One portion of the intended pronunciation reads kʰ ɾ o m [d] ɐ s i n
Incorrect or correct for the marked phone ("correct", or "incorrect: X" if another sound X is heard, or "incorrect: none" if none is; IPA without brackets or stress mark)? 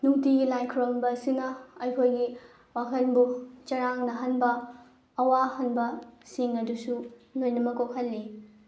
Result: incorrect: b